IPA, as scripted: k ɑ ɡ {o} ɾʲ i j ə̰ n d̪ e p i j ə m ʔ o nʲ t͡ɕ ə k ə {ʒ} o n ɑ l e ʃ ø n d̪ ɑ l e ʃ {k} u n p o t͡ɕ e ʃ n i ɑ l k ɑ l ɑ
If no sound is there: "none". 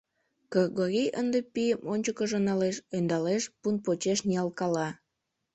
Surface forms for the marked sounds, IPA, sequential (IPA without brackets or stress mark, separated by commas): o, ʒ, p